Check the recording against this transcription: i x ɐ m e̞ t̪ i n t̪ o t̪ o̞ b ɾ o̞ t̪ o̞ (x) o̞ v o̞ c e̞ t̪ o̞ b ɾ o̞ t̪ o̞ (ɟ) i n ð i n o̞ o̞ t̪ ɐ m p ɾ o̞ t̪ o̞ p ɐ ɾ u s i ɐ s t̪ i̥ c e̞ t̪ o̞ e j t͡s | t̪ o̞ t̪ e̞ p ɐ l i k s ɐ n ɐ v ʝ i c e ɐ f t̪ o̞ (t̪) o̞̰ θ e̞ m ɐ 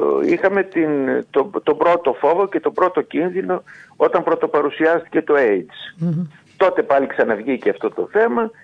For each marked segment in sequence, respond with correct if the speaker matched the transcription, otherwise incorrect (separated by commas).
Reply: incorrect, incorrect, correct